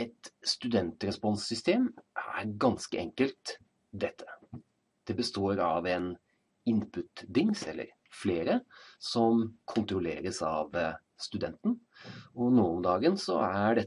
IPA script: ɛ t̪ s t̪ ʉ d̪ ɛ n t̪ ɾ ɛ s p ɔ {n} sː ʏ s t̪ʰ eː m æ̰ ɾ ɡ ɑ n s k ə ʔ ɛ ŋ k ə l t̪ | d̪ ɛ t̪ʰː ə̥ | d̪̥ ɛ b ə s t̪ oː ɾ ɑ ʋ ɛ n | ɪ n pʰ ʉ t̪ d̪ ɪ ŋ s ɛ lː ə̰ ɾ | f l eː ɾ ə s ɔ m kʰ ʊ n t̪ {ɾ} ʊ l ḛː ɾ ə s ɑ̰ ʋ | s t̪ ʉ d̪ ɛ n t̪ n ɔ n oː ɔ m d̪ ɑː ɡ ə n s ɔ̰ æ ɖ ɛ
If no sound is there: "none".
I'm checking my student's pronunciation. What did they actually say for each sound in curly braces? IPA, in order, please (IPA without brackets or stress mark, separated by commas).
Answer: n, ɾ